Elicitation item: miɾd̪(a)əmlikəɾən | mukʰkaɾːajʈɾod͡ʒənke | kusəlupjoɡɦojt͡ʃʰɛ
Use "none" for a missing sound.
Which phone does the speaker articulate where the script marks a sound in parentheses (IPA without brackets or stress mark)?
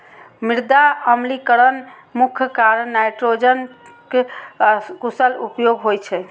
a